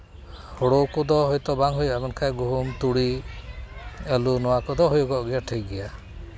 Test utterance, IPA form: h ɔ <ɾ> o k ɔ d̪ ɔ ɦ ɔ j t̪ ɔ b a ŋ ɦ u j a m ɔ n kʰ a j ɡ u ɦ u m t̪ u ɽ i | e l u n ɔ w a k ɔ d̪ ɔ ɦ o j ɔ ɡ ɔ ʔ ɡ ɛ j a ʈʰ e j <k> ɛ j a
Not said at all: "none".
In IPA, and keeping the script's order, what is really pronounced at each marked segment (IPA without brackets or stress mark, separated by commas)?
ɽ, ɡ